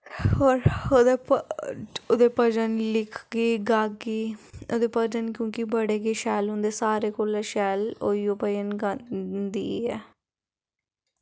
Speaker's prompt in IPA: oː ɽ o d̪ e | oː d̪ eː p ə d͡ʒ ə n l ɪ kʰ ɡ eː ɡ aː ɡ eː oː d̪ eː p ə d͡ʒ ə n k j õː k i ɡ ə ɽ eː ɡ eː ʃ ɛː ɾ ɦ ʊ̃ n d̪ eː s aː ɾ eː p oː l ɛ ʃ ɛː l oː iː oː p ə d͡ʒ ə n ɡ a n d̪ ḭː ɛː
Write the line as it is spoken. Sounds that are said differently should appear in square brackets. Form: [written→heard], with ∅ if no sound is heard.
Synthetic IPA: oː [ɽ→ɾ] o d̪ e | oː d̪ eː p ə d͡ʒ ə n l ɪ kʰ ɡ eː ɡ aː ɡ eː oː d̪ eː p ə d͡ʒ ə n k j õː k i [ɡ→b] ə ɽ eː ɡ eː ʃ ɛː [ɾ→l] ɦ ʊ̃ n d̪ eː s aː ɾ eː [p→k] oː l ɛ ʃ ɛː l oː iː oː p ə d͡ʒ ə n ɡ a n d̪ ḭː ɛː